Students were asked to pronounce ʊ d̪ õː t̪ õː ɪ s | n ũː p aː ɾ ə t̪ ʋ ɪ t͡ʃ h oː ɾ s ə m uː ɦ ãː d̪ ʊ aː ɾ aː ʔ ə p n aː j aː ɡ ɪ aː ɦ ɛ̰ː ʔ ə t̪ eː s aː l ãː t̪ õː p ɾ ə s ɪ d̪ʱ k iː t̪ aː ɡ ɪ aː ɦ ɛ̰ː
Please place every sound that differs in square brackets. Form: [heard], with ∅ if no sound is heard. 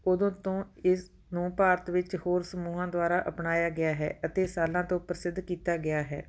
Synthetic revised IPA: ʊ d̪ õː t̪ õː ɪ s | n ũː p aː ɾ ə t̪ ʋ ɪ t͡ʃ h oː ɾ s ə m uː ɦ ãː d̪ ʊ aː ɾ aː ʔ ə p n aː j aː ɡ ɪ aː ɦ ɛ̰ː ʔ ə t̪ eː s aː l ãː t̪ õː p ɾ ə s ɪ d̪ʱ k iː t̪ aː ɡ ɪ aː ɦ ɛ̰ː